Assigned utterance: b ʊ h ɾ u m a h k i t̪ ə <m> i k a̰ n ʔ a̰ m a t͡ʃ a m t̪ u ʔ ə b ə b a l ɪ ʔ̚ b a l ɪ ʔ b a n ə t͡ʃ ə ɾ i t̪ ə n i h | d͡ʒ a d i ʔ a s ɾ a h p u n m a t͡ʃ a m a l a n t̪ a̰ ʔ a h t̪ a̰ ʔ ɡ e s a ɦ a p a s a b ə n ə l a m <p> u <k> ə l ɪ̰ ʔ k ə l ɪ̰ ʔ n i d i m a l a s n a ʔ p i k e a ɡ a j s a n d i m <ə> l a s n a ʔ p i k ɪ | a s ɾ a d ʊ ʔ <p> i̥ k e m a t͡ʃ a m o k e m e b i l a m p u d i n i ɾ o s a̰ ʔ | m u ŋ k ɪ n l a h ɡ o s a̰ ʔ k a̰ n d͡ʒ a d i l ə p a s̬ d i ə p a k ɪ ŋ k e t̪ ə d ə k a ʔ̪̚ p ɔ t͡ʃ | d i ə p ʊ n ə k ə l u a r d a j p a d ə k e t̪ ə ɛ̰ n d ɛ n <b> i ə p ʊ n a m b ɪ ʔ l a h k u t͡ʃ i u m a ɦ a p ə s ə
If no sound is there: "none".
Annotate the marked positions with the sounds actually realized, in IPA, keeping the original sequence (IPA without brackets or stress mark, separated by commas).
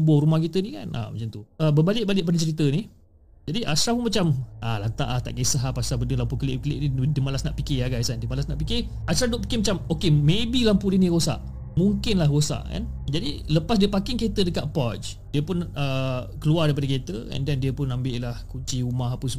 n, p, k, a, p, d